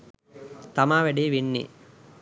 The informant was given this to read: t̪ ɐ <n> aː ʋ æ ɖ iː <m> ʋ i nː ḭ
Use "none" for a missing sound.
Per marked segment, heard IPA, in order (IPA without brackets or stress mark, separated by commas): m, none